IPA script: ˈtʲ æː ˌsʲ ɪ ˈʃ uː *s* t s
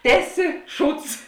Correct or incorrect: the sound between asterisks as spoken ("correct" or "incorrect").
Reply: incorrect